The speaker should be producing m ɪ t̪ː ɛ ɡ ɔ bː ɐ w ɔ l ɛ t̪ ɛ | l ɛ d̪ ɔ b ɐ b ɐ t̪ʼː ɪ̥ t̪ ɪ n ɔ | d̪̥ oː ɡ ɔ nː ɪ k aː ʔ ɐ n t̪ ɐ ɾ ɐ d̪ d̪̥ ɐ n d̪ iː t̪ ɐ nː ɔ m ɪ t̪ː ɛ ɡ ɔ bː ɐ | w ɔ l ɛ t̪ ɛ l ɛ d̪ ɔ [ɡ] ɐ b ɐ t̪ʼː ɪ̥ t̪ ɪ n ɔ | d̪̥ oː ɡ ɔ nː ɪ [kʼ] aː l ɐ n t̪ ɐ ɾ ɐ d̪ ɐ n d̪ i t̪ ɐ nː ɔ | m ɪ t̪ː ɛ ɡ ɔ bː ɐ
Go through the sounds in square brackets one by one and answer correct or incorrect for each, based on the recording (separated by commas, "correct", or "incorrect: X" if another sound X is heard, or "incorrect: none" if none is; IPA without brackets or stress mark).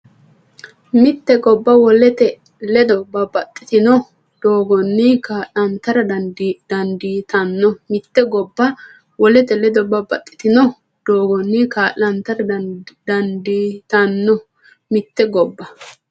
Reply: incorrect: b, incorrect: k